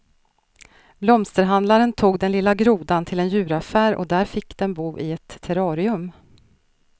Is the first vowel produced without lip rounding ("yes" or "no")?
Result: no